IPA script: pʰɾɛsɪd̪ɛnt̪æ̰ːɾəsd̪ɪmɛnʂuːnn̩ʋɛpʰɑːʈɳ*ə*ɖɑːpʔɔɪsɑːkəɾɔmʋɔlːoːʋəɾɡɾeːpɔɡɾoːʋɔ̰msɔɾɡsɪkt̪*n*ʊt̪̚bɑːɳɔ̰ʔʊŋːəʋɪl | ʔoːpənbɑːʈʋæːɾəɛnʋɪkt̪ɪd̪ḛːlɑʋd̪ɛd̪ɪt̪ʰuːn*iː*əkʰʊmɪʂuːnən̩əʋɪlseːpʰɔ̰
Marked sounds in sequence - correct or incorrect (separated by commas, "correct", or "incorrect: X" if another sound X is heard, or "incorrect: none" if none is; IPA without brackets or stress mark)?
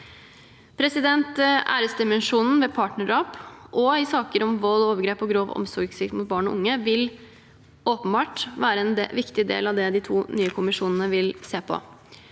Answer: correct, incorrect: m, incorrect: yː